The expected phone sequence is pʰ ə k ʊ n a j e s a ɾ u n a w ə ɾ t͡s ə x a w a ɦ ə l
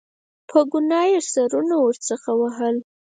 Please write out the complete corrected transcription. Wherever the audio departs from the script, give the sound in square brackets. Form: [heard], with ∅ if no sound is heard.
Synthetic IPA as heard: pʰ ə [ɡ] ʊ n [ɑ] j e s a ɾ u n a w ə ɾ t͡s ə x a w a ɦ ə l